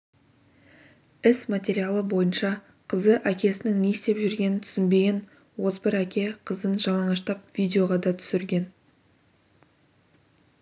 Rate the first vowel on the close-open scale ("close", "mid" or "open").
close